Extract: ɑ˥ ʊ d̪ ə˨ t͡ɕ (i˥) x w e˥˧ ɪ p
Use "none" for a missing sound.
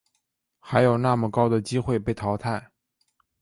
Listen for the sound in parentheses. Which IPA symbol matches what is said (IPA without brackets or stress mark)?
i˥